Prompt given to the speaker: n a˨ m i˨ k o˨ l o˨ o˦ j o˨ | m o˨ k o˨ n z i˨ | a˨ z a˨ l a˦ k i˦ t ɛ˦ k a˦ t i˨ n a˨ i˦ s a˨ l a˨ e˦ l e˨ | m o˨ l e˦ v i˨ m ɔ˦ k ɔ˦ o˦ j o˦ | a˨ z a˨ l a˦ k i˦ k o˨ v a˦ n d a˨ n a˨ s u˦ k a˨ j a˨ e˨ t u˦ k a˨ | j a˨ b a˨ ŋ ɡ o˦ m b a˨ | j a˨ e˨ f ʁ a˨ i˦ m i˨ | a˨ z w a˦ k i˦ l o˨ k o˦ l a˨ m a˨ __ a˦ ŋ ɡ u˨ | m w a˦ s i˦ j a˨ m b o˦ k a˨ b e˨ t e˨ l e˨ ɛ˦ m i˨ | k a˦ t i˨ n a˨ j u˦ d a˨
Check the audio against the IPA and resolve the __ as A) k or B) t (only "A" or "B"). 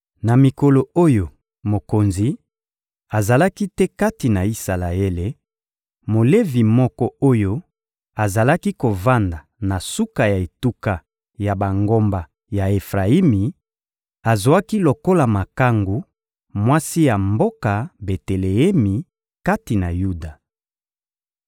A